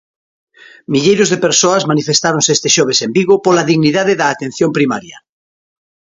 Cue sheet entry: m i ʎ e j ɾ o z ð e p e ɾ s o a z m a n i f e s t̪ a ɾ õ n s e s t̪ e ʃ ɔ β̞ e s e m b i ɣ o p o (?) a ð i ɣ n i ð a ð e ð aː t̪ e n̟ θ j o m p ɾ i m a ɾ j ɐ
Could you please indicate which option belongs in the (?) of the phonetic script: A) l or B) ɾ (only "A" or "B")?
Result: A